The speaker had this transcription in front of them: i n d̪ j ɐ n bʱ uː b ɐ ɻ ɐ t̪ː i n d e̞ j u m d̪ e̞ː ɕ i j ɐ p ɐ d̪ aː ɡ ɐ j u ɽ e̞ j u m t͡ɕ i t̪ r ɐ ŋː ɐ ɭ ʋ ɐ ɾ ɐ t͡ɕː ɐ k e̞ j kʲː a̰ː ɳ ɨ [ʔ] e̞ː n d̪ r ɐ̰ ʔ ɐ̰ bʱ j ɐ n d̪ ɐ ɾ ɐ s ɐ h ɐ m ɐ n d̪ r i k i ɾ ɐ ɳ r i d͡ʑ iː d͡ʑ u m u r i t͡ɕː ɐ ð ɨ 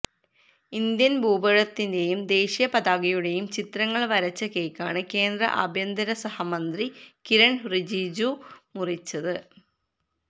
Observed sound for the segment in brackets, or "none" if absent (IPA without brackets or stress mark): k